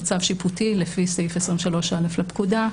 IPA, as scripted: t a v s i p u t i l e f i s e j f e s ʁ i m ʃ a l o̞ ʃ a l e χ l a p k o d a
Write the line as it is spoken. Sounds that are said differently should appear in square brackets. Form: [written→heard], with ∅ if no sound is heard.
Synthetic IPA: [t→t͡s] a v [s→ʃ] i p u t i l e f i s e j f e s ʁ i m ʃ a l o̞ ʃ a l e [χ→f] l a p k [o→u] d a

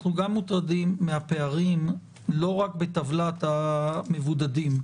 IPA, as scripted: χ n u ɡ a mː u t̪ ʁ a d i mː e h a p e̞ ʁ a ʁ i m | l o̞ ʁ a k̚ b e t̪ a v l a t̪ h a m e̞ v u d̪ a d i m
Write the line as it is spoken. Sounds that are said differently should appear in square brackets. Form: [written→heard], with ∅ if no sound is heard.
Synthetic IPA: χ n u ɡ a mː u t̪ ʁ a d i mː e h a p e̞ [ʁ→∅] a ʁ i m | l o̞ ʁ a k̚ b e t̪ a v l a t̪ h a m e̞ v u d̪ a d i m

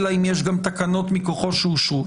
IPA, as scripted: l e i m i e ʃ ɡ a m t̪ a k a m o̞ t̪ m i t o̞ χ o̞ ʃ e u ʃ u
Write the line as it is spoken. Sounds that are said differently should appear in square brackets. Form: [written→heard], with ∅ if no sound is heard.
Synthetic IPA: l [e→a] i m [i→j] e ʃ ɡ a m t̪ a k a [m→n] o̞ t̪ m i [t→k] o̞ χ o̞ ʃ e u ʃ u

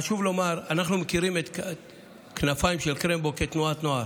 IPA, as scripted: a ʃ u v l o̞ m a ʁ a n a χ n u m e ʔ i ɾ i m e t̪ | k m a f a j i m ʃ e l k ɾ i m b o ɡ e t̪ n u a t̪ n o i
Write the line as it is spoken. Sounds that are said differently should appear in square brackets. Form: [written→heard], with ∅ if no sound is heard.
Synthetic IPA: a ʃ u v l o̞ m a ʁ a n a χ n u m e [ʔ→k] i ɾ i m e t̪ | k [m→n] a f a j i m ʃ e l k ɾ [i→e] m b o [ɡ→k] e t̪ n u a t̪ n o [i→a]

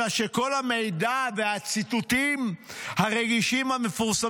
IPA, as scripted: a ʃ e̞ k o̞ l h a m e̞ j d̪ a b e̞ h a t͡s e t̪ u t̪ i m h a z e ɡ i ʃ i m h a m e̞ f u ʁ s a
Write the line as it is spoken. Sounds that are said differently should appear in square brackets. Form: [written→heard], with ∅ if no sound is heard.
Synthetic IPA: a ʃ e̞ k o̞ l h a m e̞ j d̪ a [b→v] e̞ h a t͡s [e→i] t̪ u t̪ i m h a [z→ʁ] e ɡ i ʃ i m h a m e̞ f u ʁ s a

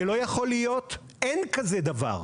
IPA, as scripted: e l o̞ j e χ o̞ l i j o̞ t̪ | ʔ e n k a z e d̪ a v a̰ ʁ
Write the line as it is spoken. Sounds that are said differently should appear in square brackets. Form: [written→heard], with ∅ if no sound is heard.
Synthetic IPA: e l o̞ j [e→a] χ o̞ l i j o̞ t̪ | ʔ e n k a z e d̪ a v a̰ ʁ

